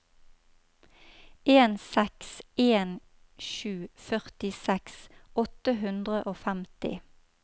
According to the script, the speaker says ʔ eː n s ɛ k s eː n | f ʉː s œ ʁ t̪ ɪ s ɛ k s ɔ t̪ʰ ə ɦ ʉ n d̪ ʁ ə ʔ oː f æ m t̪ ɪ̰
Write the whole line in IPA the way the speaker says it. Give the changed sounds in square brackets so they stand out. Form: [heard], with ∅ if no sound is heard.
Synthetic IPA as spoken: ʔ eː n s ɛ k s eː n | [ʃ] ʉː [f] œ ʁ t̪ ɪ s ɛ k s ɔ [t̪] ə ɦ ʉ n d̪ ʁ ə ʔ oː f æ m t̪ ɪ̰

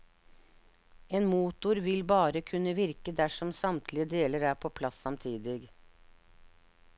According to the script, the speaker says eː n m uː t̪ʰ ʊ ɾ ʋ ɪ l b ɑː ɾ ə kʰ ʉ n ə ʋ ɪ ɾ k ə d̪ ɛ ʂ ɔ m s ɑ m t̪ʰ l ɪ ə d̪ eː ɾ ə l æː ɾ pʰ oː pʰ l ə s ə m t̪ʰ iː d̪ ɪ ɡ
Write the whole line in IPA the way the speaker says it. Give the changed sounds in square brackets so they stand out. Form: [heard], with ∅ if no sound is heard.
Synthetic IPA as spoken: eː n m uː [t̪] ʊ ɾ ʋ ɪ l b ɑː ɾ ə kʰ ʉ n ə ʋ ɪ ɾ k ə d̪ [æ] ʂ ɔ m s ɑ m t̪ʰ l ɪ ə d̪ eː [l] ə [ɾ] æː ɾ pʰ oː pʰ l [ɑ] s [ɑ] m t̪ʰ iː d̪ ɪ ɡ

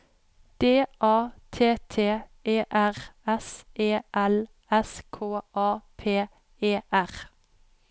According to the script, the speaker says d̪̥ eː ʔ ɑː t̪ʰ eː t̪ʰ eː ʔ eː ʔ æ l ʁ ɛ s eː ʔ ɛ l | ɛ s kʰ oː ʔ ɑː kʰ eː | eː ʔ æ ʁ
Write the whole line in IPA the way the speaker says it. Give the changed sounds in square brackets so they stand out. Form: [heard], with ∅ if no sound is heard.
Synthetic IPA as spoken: d̪̥ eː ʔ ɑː t̪ʰ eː t̪ʰ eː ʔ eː ʔ æ [∅] ʁ ɛ s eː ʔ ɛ l | ɛ s kʰ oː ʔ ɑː [pʰ] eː | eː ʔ æ ʁ

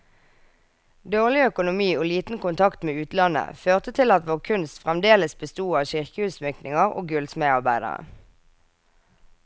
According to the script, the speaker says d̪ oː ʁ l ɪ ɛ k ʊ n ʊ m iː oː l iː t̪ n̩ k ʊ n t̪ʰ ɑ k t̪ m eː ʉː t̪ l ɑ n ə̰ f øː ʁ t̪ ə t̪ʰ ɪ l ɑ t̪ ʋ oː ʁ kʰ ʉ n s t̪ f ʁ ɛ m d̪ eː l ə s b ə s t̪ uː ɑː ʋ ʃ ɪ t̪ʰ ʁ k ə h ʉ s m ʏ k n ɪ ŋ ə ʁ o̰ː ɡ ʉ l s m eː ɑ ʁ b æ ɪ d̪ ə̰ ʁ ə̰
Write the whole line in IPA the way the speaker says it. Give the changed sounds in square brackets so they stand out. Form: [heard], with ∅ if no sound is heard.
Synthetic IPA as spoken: d̪ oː ʁ l ɪ [œ] k ʊ n ʊ m iː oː l iː t̪ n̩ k ʊ n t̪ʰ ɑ k t̪ m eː ʉː t̪ l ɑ n ə̰ f øː ʁ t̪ ə t̪ʰ ɪ l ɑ t̪ ʋ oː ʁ kʰ ʉ n s t̪ f ʁ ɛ m d̪ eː l ə s b ə s t̪ uː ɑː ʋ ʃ ɪ [∅] ʁ k ə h ʉ s m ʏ k n ɪ ŋ ə ʁ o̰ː ɡ ʉ l s m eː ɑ ʁ b æ ɪ d̪ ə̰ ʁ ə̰

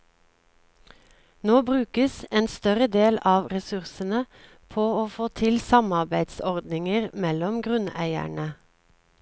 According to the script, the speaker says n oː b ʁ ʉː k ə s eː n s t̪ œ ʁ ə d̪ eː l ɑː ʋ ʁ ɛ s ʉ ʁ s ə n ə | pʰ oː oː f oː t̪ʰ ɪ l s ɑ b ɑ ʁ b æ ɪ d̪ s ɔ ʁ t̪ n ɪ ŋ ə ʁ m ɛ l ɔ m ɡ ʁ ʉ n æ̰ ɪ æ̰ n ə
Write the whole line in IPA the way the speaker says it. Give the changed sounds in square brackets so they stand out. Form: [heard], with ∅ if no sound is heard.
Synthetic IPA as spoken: n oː b ʁ ʉː k ə s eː n s t̪ œ ʁ ə d̪ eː l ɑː ʋ ʁ ɛ s ʉ ʁ s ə n ə | pʰ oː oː f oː t̪ʰ ɪ l s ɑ [m] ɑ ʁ b æ ɪ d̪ s ɔ ʁ [d̪] n ɪ ŋ ə ʁ m ɛ l ɔ m ɡ ʁ ʉ n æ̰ ɪ æ̰ [ɳ] ə

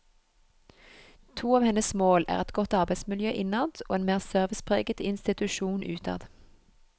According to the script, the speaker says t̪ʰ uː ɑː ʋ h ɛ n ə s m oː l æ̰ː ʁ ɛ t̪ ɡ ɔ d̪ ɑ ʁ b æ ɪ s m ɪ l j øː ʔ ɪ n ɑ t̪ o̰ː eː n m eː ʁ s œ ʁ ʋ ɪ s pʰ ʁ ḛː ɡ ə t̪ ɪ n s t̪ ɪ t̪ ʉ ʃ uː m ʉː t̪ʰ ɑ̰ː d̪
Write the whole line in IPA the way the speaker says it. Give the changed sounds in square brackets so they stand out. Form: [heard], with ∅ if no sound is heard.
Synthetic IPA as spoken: t̪ʰ uː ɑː ʋ h ɛ n ə s m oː l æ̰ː ʁ ɛ t̪ ɡ ɔ [t̪] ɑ ʁ b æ ɪ s m ɪ l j øː ʔ ɪ n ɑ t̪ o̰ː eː n m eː ʁ s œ ʁ ʋ ɪ s pʰ ʁ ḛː ɡ ə t̪ ɪ n s t̪ ɪ t̪ ʉ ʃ uː [n] ʉː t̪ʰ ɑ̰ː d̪

